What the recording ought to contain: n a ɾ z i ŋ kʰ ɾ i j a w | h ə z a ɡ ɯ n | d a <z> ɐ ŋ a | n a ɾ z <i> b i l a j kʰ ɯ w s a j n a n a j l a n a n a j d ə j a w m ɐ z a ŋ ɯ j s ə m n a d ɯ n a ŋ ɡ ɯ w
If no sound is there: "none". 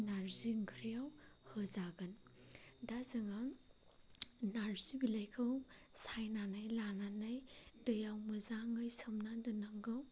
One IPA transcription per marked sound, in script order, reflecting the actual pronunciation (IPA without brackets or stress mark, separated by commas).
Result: z, i